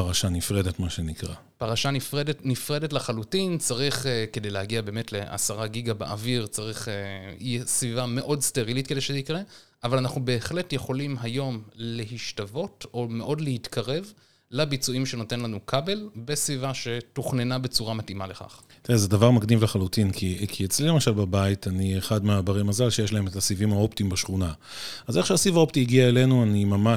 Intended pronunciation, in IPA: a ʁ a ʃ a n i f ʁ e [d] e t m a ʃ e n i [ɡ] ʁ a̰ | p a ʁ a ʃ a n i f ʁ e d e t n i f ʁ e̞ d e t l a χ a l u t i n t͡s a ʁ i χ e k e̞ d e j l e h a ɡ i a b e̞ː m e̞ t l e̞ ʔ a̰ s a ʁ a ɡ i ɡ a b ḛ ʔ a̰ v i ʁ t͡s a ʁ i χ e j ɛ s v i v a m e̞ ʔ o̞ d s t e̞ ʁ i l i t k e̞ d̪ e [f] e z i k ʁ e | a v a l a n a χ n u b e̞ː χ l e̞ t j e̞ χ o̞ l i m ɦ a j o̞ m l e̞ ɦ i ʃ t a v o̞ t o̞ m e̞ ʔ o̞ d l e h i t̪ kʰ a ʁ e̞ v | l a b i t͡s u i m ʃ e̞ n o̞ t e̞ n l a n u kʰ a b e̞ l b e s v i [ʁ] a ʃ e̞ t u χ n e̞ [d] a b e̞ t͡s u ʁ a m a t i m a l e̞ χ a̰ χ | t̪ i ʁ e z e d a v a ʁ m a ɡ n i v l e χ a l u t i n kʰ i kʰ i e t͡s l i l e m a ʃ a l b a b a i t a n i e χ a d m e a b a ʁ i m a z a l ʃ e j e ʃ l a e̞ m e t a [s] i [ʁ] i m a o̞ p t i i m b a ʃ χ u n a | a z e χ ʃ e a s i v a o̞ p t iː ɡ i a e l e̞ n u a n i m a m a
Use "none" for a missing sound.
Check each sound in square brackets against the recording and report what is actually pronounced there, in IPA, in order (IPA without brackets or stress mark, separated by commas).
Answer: d, k, ʃ, v, n, s, v